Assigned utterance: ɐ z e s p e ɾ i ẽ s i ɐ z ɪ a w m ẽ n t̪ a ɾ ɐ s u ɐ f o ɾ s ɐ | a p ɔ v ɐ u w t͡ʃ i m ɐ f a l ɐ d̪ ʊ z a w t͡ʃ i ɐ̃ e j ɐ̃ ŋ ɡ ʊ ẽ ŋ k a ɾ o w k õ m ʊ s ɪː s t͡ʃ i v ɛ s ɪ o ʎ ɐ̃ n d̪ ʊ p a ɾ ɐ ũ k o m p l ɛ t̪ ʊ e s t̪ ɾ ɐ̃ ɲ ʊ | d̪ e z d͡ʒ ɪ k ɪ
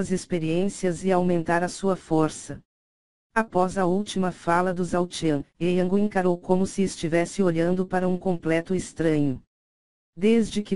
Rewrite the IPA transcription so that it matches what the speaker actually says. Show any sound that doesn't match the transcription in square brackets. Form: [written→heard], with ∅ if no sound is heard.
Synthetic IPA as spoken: ɐ z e s p e ɾ i ẽ s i ɐ z ɪ a w m ẽ n t̪ a ɾ ɐ s u ɐ f o ɾ s ɐ | a p ɔ [v→z] ɐ u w t͡ʃ i m ɐ f a l ɐ d̪ ʊ z a w t͡ʃ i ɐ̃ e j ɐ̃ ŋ ɡ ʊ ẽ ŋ k a ɾ o w k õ m ʊ s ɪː s t͡ʃ i v ɛ s ɪ o ʎ ɐ̃ n d̪ ʊ p a ɾ ɐ ũ k [o→õ] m p l ɛ t̪ ʊ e s t̪ ɾ ɐ̃ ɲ ʊ | d̪ e z d͡ʒ ɪ k ɪ